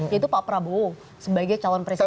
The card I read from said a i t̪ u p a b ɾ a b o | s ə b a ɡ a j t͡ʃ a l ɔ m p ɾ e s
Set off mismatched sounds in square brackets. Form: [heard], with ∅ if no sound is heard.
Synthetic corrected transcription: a i t̪ u p a [p] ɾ a b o | s ə b a ɡ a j t͡ʃ a l ɔ [n] p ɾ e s